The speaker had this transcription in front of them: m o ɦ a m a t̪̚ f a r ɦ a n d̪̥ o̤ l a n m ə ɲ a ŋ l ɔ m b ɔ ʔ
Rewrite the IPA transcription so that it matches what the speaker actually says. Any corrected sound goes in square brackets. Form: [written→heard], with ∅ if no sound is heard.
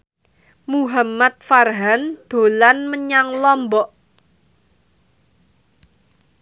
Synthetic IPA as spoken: m [o→u] ɦ a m a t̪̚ f a r ɦ a n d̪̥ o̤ l a n m ə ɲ a ŋ l ɔ m b ɔ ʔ

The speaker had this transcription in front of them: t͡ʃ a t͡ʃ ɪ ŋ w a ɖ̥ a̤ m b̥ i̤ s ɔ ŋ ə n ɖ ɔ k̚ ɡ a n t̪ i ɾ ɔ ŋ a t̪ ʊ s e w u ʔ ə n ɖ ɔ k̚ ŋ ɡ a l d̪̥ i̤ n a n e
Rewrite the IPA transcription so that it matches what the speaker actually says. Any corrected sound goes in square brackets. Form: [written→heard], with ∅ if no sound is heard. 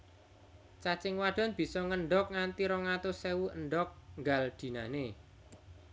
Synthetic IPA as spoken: t͡ʃ a t͡ʃ ɪ ŋ w a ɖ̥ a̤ [m→n] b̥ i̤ s ɔ ŋ ə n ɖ ɔ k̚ [ɡ→ŋ] a n t̪ i ɾ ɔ ŋ a t̪ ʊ s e w u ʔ ə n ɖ ɔ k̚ ŋ ɡ a l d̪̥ i̤ n a n e

